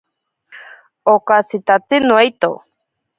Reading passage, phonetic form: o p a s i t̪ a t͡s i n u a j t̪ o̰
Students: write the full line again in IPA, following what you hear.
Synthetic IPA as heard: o k a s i t̪ a t͡s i n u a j t̪ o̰